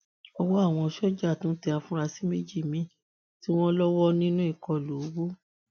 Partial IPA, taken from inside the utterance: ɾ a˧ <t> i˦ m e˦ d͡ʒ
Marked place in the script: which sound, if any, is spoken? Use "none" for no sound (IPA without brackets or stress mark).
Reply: s